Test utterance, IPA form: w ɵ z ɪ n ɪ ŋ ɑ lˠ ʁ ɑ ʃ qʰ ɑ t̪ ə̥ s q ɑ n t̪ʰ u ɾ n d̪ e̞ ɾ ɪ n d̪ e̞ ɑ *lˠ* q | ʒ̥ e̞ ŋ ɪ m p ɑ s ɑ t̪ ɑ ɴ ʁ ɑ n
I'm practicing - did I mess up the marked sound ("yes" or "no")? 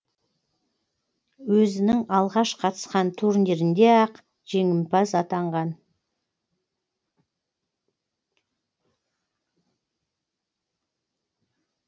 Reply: yes